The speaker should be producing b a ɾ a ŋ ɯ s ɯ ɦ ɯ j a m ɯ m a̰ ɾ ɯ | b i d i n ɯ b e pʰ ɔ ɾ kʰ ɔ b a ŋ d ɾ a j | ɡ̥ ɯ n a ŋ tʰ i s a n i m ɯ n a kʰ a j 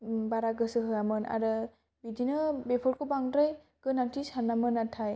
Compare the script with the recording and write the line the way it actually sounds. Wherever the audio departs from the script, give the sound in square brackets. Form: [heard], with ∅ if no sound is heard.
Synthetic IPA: b a ɾ a [ɡ] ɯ s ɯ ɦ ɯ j a m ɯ [n] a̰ ɾ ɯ | b i d i n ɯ b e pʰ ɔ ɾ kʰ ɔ b a ŋ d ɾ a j | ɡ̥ ɯ n a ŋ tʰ i s a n [a] m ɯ n a [tʰ] a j

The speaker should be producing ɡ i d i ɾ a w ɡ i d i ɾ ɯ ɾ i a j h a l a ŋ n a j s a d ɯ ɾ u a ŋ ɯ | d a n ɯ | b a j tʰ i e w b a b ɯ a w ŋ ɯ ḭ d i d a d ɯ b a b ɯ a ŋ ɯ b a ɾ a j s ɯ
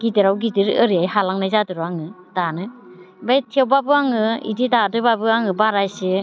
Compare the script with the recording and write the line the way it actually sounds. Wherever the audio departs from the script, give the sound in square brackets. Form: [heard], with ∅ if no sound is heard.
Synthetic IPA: ɡ i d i ɾ a w ɡ i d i ɾ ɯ ɾ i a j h a l a ŋ n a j [z] a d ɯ ɾ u a ŋ ɯ | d a n ɯ | b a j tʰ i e w b a b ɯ a [∅] ŋ ɯ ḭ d i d a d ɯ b a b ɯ a ŋ ɯ b a ɾ a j s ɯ

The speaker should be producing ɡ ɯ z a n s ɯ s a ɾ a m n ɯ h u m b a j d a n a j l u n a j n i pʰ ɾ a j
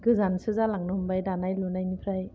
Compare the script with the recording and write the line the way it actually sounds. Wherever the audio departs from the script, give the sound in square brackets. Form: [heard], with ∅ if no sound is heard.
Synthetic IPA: ɡ ɯ z a n s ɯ [z] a [l] a [ŋ] n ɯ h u m b a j d a n a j l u n a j n i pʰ ɾ a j

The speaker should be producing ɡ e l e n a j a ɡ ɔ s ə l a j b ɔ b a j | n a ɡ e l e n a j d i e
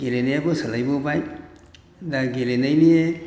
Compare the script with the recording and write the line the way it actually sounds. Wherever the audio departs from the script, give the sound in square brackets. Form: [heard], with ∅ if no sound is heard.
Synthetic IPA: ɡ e l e n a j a [b] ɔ s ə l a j b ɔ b a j | [d] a ɡ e l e n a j [n] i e

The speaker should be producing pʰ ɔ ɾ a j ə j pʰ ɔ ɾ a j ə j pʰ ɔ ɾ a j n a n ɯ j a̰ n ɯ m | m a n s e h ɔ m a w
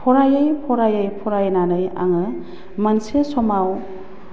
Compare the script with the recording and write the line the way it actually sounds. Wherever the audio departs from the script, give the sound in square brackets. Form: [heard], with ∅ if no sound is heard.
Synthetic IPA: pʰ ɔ ɾ a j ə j pʰ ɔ ɾ a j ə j pʰ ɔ ɾ a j n a n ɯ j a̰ [ŋ] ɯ [∅] | m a n s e [s] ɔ m a w

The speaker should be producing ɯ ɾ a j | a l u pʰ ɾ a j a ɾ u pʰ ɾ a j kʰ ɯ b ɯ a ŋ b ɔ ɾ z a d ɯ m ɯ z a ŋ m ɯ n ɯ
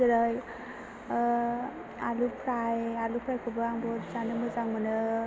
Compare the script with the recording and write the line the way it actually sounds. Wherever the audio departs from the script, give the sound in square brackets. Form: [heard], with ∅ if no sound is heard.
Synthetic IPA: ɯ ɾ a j | a l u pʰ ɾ a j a [l] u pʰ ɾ a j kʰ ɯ b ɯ a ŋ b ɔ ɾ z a [n] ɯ m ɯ z a ŋ m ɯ n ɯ

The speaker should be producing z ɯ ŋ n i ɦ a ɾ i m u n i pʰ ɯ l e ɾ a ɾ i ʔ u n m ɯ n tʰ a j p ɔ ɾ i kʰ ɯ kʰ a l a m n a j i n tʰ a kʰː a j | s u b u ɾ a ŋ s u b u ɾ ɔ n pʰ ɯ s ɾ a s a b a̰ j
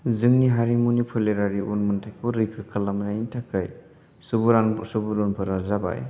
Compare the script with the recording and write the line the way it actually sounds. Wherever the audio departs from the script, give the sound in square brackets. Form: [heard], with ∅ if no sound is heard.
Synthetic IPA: z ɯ ŋ n i ɦ a ɾ i m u n i pʰ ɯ l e ɾ a ɾ i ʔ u n m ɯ n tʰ a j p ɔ ɾ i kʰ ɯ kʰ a l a m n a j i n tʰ a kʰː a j | s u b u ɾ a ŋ s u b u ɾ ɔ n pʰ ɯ [∅] ɾ a [z] a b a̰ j

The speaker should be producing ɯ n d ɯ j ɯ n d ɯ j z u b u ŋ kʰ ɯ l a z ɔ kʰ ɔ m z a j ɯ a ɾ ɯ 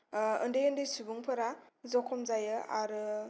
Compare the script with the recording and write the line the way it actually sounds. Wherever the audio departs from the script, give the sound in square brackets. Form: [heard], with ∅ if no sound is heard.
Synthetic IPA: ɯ n d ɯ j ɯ n d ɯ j [s] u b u ŋ [pʰ] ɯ [ɾ] a z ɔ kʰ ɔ m z a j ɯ a ɾ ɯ

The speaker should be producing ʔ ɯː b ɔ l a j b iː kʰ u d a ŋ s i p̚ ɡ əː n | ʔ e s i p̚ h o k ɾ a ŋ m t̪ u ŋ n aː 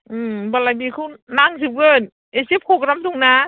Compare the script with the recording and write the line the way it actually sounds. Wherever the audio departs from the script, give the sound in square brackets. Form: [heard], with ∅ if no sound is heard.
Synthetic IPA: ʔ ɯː b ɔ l a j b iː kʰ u [n] a ŋ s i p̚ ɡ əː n | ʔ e s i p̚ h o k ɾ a [∅] m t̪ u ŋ n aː

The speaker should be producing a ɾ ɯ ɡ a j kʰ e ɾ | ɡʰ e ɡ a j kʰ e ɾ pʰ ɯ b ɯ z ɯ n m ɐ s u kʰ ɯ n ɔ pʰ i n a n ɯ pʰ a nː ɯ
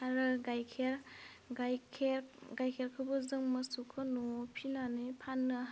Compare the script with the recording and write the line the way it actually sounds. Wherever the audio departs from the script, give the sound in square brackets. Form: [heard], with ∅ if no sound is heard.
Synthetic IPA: a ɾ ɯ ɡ a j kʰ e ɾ | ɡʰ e ɡ a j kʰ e ɾ [kʰ] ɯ b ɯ z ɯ [ŋ] m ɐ s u kʰ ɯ n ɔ pʰ i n a n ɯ pʰ a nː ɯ

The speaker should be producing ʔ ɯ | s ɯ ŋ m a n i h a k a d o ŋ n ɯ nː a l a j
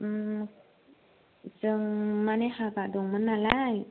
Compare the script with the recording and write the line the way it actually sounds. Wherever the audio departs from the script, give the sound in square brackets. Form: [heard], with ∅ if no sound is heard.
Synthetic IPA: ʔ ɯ | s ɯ ŋ m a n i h a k a d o ŋ [m] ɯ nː a l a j

